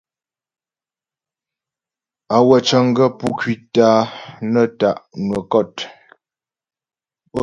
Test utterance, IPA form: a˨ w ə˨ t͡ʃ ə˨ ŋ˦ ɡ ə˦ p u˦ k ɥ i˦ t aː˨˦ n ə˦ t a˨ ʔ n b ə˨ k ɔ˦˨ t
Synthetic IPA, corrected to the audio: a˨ w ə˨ t͡ʃ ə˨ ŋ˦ ɡ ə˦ p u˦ k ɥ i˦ t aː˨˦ n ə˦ t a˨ ʔ n w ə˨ k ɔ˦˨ t